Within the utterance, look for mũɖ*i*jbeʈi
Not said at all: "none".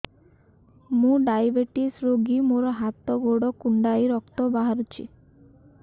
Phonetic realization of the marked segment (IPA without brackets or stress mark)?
a